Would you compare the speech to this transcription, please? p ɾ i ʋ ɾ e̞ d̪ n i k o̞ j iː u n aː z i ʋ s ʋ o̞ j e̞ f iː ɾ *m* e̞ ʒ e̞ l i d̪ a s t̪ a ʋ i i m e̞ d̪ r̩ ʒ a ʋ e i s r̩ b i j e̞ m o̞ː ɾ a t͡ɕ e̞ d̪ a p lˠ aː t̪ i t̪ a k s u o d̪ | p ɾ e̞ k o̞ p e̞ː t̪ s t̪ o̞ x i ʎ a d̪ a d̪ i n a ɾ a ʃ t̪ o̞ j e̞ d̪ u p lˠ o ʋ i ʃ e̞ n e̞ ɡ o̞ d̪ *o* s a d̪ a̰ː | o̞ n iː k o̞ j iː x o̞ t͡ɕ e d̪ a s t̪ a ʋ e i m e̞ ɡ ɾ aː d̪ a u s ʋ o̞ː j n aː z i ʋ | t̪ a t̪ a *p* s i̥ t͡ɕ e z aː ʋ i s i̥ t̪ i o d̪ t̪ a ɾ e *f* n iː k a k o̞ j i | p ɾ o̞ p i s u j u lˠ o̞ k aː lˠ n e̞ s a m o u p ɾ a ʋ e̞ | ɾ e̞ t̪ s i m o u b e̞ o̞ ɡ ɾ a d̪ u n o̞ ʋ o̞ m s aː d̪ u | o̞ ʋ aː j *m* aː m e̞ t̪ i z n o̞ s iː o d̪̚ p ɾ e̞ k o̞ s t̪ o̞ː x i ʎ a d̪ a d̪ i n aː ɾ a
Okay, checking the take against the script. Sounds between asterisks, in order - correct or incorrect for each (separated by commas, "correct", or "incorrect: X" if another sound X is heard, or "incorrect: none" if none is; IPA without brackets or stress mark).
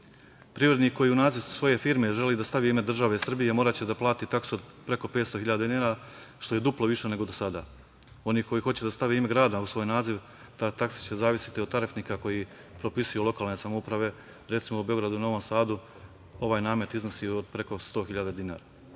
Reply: correct, correct, incorrect: k, correct, incorrect: n